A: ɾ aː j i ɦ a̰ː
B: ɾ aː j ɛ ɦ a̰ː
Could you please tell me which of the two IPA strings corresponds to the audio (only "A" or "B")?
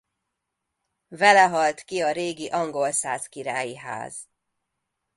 A